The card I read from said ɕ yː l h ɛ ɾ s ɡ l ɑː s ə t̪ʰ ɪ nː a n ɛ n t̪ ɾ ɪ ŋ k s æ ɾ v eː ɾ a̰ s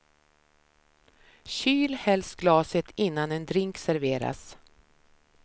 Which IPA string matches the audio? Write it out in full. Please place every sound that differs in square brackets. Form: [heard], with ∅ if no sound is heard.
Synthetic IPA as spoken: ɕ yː l h ɛ [l] s ɡ l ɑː s ə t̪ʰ ɪ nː a n ɛ n [d̪] ɾ ɪ ŋ k s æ ɾ v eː ɾ a̰ s